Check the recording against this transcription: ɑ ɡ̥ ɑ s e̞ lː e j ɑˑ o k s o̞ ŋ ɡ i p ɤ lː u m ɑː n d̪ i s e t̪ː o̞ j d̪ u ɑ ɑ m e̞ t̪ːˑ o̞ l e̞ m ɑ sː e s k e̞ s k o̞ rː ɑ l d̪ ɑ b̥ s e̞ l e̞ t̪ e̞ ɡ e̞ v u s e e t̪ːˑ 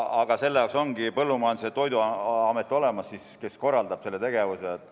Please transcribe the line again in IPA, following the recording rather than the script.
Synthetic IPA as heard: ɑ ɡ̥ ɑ s e̞ lː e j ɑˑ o k s o̞ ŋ ɡ i p ɤ lː u m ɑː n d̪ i s e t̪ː o̞ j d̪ u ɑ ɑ m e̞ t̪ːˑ o̞ l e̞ m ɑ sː i s k e̞ s k o̞ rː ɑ l d̪ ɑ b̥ s e̞ lː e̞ t̪ e̞ ɡ e̞ v u s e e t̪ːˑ